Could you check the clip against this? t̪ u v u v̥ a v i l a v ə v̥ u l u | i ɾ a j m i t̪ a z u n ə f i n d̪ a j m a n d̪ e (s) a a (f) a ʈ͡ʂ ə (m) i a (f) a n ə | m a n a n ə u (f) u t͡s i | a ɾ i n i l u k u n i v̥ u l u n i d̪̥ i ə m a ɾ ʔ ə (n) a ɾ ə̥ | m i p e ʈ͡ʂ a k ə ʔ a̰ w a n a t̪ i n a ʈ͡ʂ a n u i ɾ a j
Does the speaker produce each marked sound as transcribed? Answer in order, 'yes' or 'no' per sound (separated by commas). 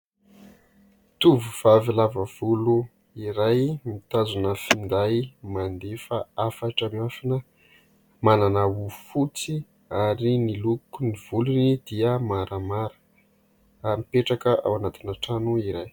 no, yes, yes, yes, yes, no